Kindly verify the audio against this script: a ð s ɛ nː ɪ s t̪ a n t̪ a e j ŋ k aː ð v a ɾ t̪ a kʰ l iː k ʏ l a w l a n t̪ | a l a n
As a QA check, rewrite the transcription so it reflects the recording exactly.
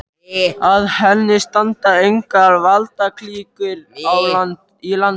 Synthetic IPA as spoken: a ð h ɛ nː ɪ s t̪ a n t̪ a e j ŋ k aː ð v a l t̪ a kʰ l iː k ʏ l a w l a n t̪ | i l a n